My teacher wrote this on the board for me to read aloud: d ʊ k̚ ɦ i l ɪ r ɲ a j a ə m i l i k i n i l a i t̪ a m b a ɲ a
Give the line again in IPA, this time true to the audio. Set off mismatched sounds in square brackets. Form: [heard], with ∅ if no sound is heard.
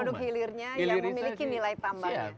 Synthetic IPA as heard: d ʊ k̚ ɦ i l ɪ r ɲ a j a ə m i l i k i n i l a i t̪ a m b a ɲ a

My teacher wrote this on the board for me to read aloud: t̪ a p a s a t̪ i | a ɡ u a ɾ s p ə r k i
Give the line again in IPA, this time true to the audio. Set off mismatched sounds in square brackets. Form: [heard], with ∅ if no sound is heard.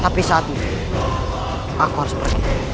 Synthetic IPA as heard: t̪ a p [i] s a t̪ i | a [k] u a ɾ s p ə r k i

